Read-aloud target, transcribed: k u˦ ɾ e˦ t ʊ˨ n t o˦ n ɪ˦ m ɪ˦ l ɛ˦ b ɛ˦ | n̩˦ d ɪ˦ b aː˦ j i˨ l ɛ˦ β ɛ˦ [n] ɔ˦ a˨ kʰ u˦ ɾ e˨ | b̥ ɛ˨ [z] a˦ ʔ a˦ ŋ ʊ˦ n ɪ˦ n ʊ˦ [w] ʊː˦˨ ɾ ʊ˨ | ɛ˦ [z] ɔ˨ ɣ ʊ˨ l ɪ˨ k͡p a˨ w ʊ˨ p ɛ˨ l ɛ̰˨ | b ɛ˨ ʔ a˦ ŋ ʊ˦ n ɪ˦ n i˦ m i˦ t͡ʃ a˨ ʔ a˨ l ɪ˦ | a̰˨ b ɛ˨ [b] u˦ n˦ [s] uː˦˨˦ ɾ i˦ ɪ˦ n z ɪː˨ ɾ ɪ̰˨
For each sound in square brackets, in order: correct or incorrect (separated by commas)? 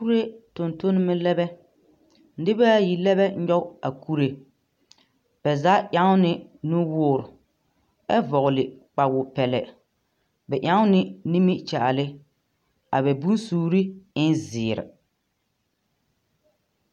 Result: incorrect, correct, correct, incorrect, correct, correct